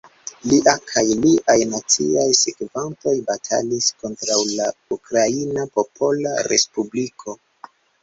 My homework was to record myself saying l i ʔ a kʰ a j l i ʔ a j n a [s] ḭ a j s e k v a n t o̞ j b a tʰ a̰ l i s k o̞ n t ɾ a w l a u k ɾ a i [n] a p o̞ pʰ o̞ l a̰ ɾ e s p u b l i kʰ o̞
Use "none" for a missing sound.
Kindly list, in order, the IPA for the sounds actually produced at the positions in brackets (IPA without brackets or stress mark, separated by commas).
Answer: t͡s, n